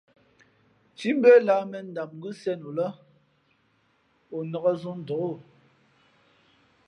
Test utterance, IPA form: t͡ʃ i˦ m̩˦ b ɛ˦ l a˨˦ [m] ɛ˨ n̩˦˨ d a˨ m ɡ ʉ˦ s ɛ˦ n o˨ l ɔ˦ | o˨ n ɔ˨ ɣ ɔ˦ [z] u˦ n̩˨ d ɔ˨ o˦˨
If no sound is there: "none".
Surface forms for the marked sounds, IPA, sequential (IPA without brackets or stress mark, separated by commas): m, z